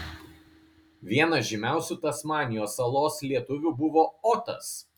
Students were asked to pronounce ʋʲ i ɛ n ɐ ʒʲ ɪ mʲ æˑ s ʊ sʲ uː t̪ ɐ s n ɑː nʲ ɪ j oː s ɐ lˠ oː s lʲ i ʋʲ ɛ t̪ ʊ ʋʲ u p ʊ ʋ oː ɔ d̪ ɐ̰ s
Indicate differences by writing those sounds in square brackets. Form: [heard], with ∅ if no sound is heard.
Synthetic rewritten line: ʋʲ i ɛ n ɐ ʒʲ ɪ mʲ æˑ [∅] ʊ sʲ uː t̪ ɐ s [m] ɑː nʲ ɪ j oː s ɐ lˠ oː s lʲ i [∅] ɛ t̪ ʊ ʋʲ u [b] ʊ ʋ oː ɔ [t̪] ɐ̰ s